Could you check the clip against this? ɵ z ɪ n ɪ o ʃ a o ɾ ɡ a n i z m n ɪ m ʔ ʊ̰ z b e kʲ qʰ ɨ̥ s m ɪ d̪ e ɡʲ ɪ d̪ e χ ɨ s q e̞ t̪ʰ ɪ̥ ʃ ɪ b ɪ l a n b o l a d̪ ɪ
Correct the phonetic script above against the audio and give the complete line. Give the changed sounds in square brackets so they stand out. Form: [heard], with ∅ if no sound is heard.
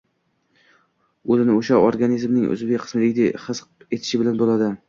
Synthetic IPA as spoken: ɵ z ɪ n ɪ o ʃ a o ɾ ɡ a n i z m n ɪ [ŋ] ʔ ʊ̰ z b e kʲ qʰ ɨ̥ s m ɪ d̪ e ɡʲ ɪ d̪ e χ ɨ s q e̞ t̪ʰ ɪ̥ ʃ ɪ b ɪ l a n b o l a d̪ ɪ